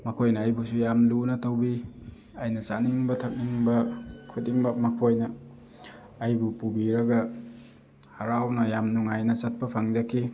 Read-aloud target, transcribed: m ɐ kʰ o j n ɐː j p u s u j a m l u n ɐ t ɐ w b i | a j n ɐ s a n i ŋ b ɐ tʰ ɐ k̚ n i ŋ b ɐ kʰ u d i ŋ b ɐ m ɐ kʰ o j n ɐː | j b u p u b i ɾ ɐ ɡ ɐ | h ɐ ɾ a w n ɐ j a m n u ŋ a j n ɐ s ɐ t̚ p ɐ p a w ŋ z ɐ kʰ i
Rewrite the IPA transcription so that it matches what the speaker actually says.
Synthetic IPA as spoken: m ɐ kʰ o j n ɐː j b u s u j a m l u n ɐ t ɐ w b i | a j n ɐ s a n i ŋ b ɐ tʰ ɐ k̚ n i ŋ b ɐ kʰ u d i ŋ b ɐ m ɐ kʰ o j n ɐː | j b u p u b i ɾ ɐ ɡ ɐ | h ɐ ɾ a w n ɐ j a m n u ŋ a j n ɐ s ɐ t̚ p ɐ pʰ a ŋ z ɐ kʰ i